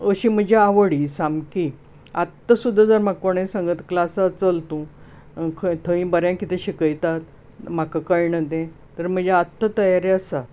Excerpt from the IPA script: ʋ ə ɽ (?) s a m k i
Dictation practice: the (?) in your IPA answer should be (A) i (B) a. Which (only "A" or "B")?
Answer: A